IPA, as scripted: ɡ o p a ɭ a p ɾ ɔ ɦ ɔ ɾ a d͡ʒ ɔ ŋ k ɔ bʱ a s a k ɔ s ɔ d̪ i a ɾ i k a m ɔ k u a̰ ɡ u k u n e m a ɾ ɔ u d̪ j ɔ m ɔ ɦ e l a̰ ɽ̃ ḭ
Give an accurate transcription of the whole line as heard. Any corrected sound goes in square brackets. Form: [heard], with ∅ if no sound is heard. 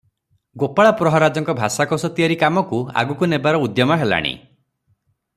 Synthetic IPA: ɡ o p a ɭ a p ɾ ɔ ɦ ɔ ɾ a d͡ʒ ɔ ŋ k ɔ bʱ a s a k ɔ s ɔ [t̪] i a ɾ i k a m ɔ k u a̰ ɡ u k u n e [b] a ɾ ɔ u d̪ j ɔ m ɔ ɦ e l a̰ ɽ̃ ḭ